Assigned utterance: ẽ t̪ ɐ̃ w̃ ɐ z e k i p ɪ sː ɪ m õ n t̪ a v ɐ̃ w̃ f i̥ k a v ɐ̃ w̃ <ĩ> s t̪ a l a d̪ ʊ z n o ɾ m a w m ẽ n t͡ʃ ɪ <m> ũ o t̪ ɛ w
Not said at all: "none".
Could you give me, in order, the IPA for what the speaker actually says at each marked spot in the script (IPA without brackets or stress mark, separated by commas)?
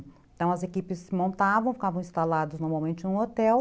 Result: ĩ, n